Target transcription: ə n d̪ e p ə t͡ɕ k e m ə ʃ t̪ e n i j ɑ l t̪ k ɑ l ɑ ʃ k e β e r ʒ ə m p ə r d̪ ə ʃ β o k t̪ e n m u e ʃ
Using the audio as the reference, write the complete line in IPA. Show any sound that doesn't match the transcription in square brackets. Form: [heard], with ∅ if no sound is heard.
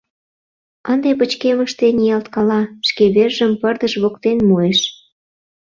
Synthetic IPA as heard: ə n d̪ e p ə t͡ɕ k e m ə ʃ t̪ e n i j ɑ l t̪ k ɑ l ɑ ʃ k e β e r ʒ ə m p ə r d̪ ə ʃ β o k t̪ e n m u e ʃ